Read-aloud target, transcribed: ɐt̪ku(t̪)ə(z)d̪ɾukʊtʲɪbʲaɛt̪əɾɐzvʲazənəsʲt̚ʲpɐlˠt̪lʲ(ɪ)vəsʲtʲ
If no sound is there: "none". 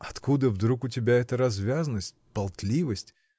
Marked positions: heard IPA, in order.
d̪, v, i

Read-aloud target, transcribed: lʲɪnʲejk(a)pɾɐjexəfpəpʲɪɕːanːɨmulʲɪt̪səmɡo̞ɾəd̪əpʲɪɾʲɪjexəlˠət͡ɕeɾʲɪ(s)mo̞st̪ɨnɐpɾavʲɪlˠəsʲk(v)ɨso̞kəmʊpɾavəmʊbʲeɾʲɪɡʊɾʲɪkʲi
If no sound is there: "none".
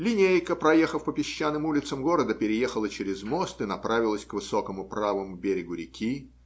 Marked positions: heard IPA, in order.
ə, z, v

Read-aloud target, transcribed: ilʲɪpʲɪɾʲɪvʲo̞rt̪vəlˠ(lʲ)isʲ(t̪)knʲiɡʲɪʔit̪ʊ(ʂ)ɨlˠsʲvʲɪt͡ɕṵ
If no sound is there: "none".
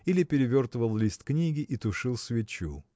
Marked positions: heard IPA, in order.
lʲ, t̪, ʂ

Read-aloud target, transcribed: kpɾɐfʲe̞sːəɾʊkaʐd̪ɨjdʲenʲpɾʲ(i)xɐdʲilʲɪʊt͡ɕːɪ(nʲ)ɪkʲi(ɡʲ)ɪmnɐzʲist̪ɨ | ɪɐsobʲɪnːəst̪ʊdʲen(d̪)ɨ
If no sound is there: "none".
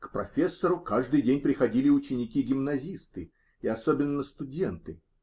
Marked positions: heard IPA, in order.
ɪ, nʲ, ɡʲ, t̪

